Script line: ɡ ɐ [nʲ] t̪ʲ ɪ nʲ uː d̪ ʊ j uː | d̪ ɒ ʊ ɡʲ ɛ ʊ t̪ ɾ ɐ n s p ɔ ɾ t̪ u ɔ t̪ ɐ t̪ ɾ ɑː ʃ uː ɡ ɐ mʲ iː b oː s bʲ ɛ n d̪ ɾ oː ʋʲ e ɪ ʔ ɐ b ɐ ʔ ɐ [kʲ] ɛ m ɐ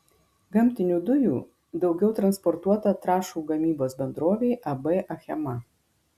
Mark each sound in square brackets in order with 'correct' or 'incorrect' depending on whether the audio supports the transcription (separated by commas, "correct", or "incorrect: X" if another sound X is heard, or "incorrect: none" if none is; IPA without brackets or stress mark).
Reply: incorrect: mʲ, incorrect: xʲ